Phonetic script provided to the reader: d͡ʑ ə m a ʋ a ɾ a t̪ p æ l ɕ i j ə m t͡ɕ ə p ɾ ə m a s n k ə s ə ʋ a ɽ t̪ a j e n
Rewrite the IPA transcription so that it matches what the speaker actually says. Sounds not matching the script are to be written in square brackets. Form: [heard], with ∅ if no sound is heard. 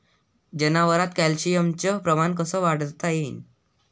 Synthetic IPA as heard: d͡ʑ ə [n] a ʋ [ə] ɾ a t̪ [k] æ l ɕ i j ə m t͡ɕ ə p ɾ ə m a [∅] n k ə s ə ʋ a ɽ t̪ a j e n